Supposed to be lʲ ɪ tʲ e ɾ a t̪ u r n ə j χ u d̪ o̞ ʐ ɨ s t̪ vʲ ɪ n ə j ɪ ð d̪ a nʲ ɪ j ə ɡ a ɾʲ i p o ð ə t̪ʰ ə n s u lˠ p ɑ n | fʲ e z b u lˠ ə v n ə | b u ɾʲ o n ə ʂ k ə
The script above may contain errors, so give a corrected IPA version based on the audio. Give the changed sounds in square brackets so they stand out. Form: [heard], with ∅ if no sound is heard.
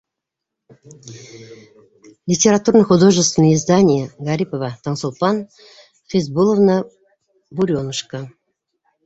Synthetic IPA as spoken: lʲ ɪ tʲ e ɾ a t̪ u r n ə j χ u d̪ o̞ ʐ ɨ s t̪ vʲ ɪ n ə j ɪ [z] d̪ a nʲ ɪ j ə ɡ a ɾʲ i p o [v] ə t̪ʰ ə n s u lˠ p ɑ n | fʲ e z b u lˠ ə v n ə | b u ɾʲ o n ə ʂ k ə